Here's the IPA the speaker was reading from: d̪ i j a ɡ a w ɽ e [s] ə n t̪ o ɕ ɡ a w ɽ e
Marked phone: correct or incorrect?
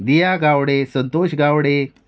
correct